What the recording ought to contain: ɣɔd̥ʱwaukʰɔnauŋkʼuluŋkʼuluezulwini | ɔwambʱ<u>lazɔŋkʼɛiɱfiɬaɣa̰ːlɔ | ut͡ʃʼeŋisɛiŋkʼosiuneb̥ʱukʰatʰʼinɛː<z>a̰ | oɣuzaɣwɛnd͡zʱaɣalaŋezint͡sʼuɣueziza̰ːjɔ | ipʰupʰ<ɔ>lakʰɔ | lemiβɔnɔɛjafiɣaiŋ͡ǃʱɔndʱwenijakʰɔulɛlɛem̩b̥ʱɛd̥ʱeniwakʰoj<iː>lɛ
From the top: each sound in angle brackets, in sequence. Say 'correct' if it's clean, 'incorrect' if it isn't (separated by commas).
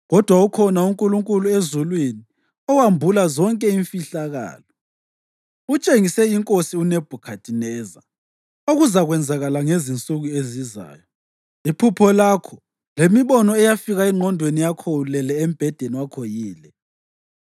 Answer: correct, correct, correct, correct